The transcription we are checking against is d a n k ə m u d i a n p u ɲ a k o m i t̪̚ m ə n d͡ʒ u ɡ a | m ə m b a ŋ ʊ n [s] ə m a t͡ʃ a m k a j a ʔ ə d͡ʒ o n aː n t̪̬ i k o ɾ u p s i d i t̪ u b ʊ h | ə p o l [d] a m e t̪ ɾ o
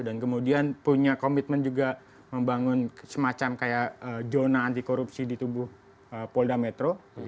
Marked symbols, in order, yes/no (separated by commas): yes, yes